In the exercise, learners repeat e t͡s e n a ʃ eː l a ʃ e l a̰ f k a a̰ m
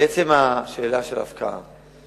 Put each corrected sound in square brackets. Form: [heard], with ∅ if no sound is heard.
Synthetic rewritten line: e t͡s e [m] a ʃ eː l a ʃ e l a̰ f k a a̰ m